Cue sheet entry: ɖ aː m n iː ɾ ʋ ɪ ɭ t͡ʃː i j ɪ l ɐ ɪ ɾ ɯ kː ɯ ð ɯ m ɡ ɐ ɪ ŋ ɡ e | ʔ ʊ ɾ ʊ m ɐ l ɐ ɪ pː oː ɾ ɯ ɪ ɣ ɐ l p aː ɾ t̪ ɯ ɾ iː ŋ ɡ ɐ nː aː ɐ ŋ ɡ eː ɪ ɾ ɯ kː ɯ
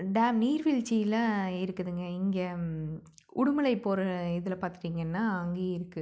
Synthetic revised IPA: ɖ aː m n iː ɾ ʋ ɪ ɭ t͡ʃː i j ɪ l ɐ ɪ ɾ ɯ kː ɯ ð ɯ ŋ ɡ ɐ ɪ ŋ ɡ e | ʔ ʊ ɽ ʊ m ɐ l ɐ ɪ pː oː ɾ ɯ ɪ ð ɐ l p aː ɾ t̪ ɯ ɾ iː ŋ ɡ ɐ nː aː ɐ ŋ ɡ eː ɪ ɾ ɯ kː ɯ